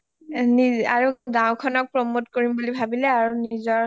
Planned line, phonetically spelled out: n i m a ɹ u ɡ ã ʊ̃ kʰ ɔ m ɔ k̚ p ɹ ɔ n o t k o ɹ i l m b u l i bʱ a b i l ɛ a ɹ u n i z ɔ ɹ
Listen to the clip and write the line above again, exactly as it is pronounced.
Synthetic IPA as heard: n i a ɹ u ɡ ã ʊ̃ kʰ ɔ n ɔ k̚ p ɹ ɔ m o t k o ɹ i m b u l i bʱ a b i l ɛ a ɹ u n i z ɔ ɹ